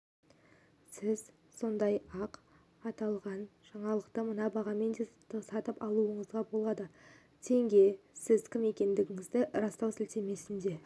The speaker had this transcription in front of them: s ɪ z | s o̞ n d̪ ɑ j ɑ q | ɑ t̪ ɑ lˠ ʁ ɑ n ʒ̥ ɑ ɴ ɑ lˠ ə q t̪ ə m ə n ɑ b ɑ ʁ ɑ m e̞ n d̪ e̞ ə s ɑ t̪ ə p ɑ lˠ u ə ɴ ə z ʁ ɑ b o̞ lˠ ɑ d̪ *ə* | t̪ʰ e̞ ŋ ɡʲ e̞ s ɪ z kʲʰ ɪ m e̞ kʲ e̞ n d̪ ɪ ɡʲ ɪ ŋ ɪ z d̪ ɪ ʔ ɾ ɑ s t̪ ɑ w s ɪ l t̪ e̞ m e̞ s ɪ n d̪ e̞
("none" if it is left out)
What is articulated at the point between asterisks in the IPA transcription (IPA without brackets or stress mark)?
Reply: ə